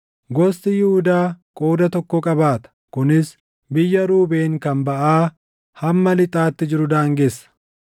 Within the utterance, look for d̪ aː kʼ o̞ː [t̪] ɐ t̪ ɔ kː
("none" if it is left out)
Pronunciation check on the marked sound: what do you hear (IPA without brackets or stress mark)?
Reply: d̪